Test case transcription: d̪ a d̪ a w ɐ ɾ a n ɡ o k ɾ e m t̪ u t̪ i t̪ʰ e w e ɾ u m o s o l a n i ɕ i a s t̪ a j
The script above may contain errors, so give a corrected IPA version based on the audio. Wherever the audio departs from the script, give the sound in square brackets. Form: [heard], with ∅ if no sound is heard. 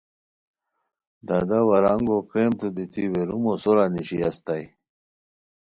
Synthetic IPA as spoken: d̪ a d̪ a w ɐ ɾ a [ŋ] ɡ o k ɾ e m t̪ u [d̪] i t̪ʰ [i] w e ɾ u m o s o [ɾ] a n i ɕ i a s t̪ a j